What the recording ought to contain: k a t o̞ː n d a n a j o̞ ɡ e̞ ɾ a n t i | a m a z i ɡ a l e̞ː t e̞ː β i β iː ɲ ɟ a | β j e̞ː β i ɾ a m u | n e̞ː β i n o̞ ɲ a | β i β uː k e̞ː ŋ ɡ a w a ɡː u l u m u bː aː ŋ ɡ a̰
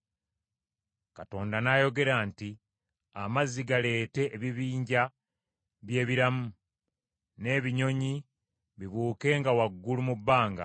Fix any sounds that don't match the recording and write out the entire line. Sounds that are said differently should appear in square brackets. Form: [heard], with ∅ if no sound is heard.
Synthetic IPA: k a t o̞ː n d a n a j o̞ ɡ e̞ ɾ a n t i | a m a z i ɡ a l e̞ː t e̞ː β i β iː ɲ ɟ a | β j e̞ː β i ɾ a m u | n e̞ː β i [ɲ] o̞ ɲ [i] | β i β uː k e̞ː ŋ ɡ a w a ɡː u l u m u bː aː ŋ ɡ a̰